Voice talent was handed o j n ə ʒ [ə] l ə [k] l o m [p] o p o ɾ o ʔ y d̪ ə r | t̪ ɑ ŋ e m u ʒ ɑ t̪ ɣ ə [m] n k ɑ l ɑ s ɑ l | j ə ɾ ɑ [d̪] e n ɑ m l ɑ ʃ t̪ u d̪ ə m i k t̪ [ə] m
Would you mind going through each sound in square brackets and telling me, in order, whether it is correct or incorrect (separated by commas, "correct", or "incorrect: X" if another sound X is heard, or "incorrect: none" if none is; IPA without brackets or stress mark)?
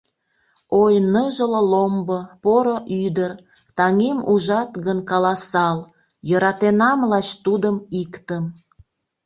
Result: correct, incorrect: none, incorrect: b, incorrect: none, incorrect: t̪, correct